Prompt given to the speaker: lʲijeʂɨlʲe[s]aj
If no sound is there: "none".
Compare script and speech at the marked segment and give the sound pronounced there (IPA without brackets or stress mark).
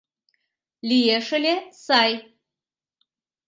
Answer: s